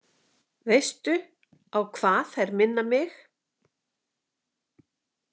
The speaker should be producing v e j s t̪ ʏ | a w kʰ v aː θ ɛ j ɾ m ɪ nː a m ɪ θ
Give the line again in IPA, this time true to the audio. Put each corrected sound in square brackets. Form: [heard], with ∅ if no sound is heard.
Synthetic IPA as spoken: v e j s t̪ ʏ | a w kʰ v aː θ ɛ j ɾ m ɪ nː a m ɪ [x]